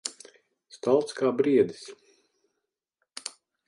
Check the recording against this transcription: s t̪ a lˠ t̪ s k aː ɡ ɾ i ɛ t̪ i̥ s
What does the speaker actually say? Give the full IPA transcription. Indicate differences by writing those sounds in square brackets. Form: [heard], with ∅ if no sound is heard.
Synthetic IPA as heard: s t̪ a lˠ t̪ s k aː [b] ɾ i ɛ [d̪] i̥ s